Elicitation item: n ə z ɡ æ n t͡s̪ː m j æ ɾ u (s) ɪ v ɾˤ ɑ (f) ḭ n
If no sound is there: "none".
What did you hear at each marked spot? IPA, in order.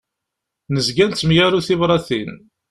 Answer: θ, θ

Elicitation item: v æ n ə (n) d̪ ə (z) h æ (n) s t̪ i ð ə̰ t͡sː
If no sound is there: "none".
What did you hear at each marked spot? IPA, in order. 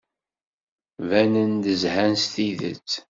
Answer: n, z, n

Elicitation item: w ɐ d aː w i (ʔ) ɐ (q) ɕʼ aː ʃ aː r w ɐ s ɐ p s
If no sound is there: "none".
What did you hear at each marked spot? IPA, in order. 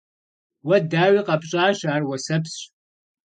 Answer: q, p

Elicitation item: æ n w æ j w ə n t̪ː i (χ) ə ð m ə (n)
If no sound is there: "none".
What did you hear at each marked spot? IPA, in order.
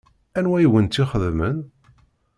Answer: χ, n

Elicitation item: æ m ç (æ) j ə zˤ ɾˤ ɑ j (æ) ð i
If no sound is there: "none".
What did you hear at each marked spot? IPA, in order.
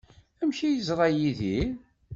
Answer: i, i

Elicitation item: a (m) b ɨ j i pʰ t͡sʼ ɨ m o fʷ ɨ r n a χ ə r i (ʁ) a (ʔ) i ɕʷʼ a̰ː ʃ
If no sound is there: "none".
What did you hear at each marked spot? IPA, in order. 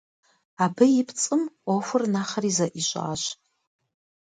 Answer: none, z, ʔ

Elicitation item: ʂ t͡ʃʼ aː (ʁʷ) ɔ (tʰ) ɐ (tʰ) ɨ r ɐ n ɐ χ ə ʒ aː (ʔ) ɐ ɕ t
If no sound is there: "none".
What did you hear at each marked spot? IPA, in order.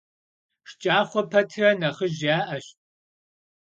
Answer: χʷ, pʰ, tʰ, ʔ

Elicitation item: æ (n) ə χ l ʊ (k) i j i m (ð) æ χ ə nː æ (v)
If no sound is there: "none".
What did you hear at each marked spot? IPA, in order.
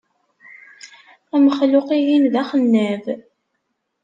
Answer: m, q, ð, v

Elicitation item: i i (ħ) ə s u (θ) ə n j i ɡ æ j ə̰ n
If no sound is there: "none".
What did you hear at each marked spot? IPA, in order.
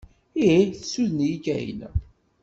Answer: θ, ð

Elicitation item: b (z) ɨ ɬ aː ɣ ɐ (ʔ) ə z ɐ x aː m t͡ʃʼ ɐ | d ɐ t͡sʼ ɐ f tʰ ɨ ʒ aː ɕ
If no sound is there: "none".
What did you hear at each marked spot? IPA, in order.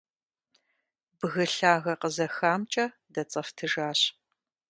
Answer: ɣ, q

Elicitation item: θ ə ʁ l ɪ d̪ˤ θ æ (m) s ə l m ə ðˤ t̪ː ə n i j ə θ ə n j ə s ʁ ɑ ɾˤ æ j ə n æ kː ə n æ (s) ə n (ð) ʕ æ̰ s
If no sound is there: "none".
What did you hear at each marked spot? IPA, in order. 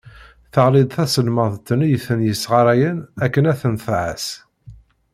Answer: none, θ, θ

